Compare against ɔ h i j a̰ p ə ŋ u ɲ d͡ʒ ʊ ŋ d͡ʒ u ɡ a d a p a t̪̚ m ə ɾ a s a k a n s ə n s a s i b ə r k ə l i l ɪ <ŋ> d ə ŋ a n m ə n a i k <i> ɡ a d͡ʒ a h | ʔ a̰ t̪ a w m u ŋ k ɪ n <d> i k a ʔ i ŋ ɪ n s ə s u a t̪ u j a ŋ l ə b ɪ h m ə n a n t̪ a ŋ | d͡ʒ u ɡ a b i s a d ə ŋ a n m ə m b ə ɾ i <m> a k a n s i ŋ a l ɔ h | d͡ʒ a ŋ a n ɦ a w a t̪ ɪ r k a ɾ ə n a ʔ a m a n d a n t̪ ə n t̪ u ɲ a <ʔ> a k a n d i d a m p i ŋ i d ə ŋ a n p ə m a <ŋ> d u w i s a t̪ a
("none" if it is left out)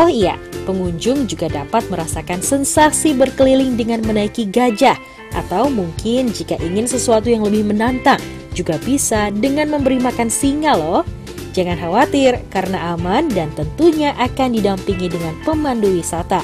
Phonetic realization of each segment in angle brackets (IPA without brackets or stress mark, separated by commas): ŋ, i, d͡ʒ, m, ʔ, n